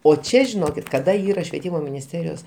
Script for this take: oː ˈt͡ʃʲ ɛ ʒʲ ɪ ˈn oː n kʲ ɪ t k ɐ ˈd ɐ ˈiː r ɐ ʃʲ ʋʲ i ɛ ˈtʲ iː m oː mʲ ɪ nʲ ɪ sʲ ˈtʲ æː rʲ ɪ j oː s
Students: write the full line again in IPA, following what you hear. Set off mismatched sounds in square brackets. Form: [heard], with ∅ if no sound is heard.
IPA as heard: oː ˈt͡ʃʲ ɛ ʒʲ ɪ ˈn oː [∅] kʲ ɪ t k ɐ ˈd ɐ ˈiː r ɐ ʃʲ ʋʲ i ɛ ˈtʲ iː m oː mʲ ɪ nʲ ɪ sʲ ˈtʲ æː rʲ ɪ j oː s